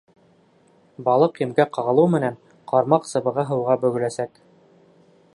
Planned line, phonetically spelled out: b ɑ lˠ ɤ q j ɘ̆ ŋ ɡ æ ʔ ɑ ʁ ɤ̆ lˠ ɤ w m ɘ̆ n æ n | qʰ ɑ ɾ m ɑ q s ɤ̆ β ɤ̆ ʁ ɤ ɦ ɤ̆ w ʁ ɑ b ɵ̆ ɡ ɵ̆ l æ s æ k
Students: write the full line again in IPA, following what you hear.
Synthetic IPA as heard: b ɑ lˠ ɤ q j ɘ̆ m ɡ æ q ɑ ʁ ɤ̆ lˠ ɤ w m ɘ̆ n æ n | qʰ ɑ ɾ m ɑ q s ɤ̆ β ɤ̆ ʁ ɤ ɦ ɤ̆ w ʁ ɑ b ɵ̆ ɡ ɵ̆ l æ s æ k

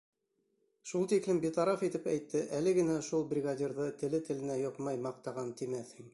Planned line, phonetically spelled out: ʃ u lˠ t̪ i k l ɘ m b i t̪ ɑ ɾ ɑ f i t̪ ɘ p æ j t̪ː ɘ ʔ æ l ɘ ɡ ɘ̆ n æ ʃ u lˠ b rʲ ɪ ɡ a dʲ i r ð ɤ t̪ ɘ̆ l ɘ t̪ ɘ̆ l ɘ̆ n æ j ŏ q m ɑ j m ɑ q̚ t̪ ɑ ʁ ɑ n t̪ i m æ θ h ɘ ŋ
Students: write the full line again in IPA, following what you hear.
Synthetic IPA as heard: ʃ u lˠ t̪ i k l ɘ m b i t̪ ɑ ɾ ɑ f i t̪ ɘ p æ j t̪ː ɘ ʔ æ l ɘ ɡ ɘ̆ n æ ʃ u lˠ b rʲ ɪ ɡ a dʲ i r ð ɤ t̪ ɘ̆ l ɘ t̪ ɘ̆ l ɘ̆ n æ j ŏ q m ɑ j m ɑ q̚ t̪ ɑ ʁ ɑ n t̪ i m æ θ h ɘ ŋ

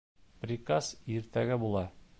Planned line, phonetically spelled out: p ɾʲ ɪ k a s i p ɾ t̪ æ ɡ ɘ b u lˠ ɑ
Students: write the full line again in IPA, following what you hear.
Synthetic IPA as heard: p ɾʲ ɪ k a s i ɾ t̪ æ ɡ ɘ b u lˠ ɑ

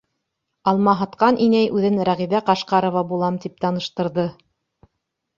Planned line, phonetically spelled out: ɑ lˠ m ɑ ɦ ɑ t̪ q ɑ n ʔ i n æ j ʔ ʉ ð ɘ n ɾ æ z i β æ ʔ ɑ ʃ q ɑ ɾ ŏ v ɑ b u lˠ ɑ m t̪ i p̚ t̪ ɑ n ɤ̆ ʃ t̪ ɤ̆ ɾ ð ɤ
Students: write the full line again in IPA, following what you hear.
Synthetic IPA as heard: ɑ lˠ m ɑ ɦ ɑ t̪ q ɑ n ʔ i n æ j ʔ ʉ ð ɘ n ɾ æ ʁ i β æ q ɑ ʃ q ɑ ɾ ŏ v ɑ b u lˠ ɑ m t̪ i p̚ t̪ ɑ n ɤ̆ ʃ t̪ ɤ̆ ɾ ð ɤ

